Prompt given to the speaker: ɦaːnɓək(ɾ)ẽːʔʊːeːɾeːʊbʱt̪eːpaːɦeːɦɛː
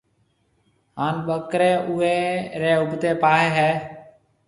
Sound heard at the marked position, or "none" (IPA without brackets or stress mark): ɾ